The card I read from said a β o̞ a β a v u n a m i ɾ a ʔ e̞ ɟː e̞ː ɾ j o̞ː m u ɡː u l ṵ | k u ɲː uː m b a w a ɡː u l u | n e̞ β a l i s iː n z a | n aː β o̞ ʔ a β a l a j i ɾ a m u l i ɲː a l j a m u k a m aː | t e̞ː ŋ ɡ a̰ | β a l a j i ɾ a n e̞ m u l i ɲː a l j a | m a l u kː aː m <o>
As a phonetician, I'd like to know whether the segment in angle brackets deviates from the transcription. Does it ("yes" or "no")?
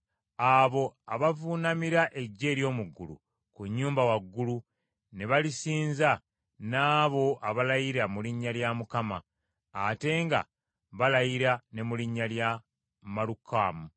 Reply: yes